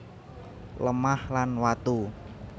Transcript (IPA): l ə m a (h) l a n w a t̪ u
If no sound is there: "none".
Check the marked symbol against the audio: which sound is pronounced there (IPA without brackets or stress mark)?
h